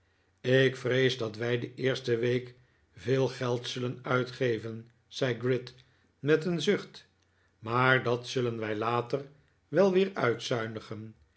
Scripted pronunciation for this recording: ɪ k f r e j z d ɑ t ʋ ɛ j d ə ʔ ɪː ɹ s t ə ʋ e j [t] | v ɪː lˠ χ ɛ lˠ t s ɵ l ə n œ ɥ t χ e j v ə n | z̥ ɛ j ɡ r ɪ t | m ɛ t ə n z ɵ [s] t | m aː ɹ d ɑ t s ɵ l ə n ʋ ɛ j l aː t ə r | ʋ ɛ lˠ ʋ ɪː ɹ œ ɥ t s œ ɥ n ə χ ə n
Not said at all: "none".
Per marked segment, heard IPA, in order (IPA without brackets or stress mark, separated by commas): k, χ